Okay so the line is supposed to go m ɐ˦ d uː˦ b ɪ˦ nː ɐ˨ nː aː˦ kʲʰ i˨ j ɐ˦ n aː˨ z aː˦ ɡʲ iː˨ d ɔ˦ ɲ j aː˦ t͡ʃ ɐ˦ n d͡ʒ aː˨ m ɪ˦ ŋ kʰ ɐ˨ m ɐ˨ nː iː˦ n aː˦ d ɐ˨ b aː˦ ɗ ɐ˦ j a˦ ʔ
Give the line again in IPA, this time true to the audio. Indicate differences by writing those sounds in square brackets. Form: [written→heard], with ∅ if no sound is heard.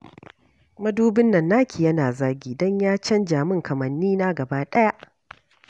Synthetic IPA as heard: m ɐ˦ d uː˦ b ɪ˦ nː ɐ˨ nː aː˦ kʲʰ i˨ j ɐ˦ n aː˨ z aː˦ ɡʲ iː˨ d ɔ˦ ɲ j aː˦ t͡ʃ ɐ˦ n d͡ʒ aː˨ m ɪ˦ ŋ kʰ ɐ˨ m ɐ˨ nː iː˦ n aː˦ [d→ɡ] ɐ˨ b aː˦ ɗ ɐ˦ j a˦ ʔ